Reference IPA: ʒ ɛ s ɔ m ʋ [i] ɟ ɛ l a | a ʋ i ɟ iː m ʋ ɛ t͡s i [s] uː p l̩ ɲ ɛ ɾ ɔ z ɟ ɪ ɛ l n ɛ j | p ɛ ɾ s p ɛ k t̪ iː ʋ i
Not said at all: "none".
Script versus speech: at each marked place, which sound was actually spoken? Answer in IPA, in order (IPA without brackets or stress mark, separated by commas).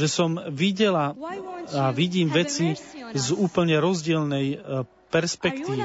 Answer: i, z